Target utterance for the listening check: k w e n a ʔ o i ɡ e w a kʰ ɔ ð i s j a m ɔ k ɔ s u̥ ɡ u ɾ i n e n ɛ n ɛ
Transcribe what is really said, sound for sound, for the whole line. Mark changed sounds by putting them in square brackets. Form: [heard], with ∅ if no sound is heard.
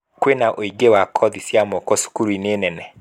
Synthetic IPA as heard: k w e n a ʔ o i ɡ e w a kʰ ɔ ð i s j a m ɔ k ɔ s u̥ [k] u ɾ i n e n ɛ n ɛ